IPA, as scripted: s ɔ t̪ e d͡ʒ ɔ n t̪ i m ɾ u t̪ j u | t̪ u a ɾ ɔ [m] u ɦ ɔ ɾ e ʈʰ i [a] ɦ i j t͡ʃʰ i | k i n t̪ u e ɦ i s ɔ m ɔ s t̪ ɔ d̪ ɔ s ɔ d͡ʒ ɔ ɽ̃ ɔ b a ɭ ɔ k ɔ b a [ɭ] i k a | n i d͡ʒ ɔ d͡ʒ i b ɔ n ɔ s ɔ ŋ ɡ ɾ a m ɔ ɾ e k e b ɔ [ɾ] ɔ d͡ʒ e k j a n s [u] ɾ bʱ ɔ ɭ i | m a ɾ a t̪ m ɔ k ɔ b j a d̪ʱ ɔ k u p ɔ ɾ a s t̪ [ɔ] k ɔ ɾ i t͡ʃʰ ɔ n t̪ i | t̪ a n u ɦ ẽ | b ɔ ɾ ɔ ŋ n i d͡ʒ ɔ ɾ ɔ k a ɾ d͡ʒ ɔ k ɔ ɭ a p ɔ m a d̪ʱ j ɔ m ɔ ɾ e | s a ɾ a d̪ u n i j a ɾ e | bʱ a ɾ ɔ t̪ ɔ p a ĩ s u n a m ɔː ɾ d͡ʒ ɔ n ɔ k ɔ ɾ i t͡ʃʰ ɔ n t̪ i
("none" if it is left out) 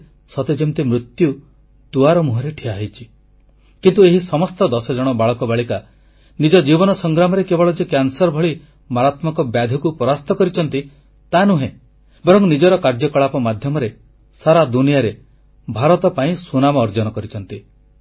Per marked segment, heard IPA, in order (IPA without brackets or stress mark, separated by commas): m, a, ɭ, ɭ, ɔ, ɔ